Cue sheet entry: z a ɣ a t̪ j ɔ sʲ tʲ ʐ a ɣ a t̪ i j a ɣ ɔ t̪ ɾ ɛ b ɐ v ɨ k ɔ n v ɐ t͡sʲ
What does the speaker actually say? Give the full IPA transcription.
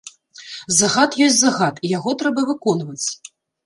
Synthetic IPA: z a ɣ a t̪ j ɔ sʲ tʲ z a ɣ a t̪ i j a ɣ ɔ t̪ ɾ ɛ b ɐ v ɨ k ɔ n v ɐ t͡sʲ